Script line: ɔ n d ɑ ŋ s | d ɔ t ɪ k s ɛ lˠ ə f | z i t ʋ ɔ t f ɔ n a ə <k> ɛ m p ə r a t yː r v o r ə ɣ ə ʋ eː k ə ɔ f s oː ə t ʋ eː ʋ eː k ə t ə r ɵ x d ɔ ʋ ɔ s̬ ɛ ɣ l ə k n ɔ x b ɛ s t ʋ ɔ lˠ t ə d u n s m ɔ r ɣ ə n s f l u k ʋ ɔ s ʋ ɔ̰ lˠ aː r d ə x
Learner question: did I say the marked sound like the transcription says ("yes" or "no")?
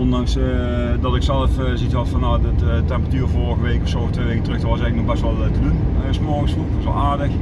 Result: no